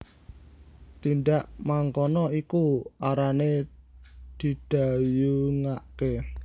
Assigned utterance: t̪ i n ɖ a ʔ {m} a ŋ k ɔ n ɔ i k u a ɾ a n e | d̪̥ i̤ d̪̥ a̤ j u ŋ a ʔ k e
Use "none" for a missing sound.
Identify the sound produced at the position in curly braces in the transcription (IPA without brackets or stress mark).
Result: m